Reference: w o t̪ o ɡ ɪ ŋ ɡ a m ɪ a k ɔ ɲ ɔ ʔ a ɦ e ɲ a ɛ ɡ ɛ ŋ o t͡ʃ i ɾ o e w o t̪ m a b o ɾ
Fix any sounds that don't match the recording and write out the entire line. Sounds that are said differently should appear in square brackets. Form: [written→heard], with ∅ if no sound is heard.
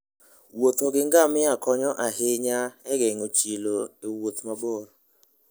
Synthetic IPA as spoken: w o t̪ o ɡ ɪ ŋ ɡ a m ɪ a k ɔ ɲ ɔ ʔ a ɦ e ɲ a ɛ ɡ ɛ ŋ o t͡ʃ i [ɾ→l] o e w o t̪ m a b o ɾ